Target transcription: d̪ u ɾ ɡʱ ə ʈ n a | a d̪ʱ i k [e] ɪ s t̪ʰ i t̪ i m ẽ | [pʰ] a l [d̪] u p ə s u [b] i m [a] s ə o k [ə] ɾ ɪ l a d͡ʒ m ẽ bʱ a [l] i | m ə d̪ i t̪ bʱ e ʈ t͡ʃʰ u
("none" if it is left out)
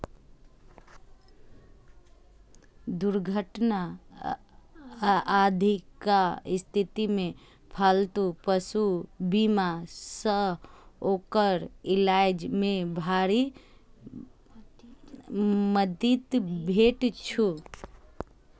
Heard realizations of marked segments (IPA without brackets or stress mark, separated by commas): a, pʰ, t̪, b, a, ə, ɾ